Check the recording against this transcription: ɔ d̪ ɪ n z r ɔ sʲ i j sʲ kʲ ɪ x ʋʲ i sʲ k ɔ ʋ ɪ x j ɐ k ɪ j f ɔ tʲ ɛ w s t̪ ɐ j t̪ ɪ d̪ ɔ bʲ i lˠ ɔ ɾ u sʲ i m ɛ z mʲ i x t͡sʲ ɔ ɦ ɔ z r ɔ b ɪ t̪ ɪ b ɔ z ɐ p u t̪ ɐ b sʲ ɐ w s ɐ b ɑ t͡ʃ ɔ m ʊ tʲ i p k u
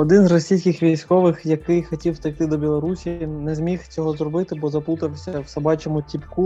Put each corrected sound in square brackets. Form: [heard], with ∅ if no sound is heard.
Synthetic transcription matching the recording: ɔ d̪ ɪ n z r ɔ sʲ i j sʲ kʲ ɪ x ʋʲ i sʲ k ɔ ʋ ɪ x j ɐ k ɪ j [x] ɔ tʲ [i] w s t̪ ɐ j t̪ ɪ d̪ ɔ bʲ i lˠ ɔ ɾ u sʲ i [n] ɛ z mʲ i x t͡sʲ ɔ ɦ ɔ z r ɔ b ɪ t̪ ɪ b ɔ z ɐ p u t̪ ɐ [w] sʲ ɐ w s ɐ b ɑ t͡ʃ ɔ m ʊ tʲ i p k u